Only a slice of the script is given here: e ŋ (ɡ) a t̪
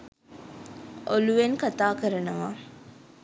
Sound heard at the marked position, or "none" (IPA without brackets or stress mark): k